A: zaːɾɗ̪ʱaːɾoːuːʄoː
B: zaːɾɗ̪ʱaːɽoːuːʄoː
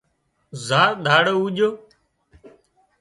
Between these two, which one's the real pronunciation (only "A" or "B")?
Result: B